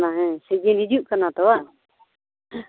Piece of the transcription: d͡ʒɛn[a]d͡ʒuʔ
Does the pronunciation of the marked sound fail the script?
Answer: yes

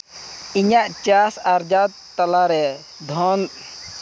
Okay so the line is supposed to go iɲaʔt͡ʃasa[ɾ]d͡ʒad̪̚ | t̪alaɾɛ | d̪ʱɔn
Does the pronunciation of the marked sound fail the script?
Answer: no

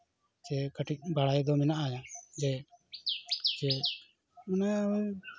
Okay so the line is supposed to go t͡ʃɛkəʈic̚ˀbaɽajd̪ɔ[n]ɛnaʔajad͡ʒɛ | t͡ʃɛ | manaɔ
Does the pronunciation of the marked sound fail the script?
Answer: yes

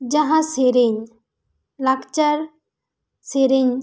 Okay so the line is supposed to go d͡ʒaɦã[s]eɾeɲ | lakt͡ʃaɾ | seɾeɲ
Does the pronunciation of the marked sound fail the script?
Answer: no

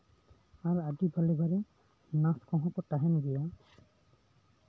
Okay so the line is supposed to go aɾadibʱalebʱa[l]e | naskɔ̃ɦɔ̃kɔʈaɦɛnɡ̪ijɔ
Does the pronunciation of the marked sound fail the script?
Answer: yes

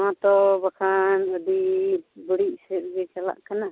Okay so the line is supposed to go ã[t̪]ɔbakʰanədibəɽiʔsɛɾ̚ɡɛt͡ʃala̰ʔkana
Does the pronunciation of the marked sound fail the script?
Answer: no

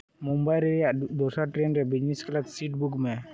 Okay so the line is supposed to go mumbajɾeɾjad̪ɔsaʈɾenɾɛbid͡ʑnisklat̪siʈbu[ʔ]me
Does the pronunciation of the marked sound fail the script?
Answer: yes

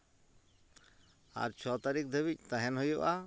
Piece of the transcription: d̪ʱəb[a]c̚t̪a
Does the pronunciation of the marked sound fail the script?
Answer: yes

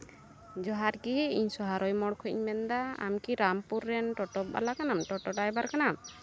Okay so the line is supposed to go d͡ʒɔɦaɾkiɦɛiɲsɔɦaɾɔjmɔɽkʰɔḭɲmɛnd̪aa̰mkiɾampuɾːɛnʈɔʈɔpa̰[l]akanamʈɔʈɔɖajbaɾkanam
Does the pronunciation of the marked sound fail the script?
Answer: no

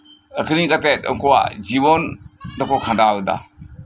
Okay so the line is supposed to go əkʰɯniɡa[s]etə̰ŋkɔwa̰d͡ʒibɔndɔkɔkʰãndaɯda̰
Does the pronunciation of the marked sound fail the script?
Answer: yes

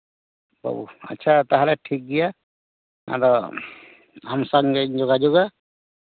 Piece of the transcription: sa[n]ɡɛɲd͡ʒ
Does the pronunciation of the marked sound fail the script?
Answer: yes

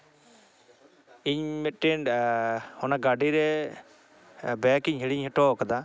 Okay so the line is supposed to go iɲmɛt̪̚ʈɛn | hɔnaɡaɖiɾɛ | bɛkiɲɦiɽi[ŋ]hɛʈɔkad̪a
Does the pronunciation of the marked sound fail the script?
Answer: yes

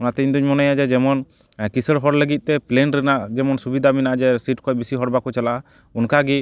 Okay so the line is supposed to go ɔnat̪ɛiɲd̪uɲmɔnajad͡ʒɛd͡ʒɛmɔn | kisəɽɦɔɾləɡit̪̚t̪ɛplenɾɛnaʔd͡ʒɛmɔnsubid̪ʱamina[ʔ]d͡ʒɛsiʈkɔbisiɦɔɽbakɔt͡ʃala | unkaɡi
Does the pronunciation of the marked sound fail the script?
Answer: no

